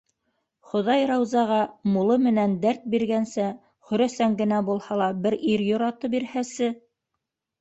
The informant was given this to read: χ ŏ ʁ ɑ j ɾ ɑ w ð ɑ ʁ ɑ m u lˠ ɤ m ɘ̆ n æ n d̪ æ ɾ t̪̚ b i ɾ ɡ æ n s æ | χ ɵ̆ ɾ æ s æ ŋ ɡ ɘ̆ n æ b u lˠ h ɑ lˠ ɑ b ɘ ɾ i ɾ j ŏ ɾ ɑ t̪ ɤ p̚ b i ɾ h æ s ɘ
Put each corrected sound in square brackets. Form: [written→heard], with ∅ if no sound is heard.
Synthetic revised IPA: χ ŏ [ʁ→ð] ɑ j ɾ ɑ w [ð→z] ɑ ʁ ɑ m u lˠ ɤ m ɘ̆ n æ n d̪ æ ɾ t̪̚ b i ɾ ɡ æ n s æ | χ ɵ̆ ɾ æ s æ ŋ ɡ ɘ̆ n æ b u lˠ h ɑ lˠ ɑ b ɘ ɾ i ɾ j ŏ ɾ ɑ t̪ ɤ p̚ b i ɾ h æ s ɘ